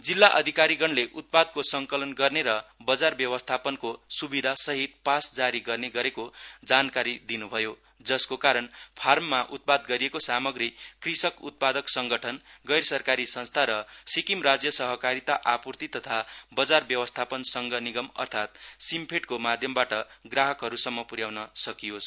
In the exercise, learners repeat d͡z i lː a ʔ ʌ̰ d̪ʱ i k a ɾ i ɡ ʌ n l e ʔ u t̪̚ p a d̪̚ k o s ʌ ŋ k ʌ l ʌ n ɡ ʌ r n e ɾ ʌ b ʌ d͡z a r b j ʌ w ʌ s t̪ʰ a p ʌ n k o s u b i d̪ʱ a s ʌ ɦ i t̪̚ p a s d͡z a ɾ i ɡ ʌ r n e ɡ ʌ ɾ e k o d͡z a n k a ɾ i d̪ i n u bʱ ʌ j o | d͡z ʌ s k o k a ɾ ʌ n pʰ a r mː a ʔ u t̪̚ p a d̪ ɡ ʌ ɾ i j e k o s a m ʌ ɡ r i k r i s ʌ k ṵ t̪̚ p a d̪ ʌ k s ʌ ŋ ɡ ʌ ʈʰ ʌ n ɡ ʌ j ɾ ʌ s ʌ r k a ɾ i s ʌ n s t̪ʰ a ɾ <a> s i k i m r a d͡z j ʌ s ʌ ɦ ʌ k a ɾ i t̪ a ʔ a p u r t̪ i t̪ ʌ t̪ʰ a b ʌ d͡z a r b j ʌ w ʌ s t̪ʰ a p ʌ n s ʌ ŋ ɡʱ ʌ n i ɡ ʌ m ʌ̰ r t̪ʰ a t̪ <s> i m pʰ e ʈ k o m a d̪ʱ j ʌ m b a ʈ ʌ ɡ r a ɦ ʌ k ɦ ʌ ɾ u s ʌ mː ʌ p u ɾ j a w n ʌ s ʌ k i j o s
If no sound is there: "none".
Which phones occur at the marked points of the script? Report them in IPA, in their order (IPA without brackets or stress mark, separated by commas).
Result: ʌ, s